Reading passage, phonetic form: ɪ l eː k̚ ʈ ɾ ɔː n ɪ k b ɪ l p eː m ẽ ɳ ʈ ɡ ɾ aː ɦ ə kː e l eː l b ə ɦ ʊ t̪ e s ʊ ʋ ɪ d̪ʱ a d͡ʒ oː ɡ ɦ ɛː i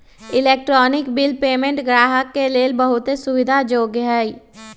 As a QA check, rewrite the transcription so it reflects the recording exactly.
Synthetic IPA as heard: ɪ l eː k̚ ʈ ɾ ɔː n ɪ k b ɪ l p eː m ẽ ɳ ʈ ɡ ɾ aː ɦ ə kː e l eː l b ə ɦ ʊ t̪ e s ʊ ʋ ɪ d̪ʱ a d͡ʒ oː ɡ ɦ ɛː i